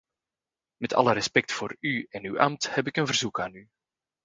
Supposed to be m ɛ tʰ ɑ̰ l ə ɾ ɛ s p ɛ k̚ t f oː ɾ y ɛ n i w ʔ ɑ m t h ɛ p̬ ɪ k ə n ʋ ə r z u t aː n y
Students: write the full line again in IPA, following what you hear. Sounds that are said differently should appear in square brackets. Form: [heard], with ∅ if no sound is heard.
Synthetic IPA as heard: m ɛ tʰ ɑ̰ l ə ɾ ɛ s p ɛ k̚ t f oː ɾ y ɛ n [y] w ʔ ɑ m t h ɛ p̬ ɪ k ə n [v] ə r z u [k] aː n y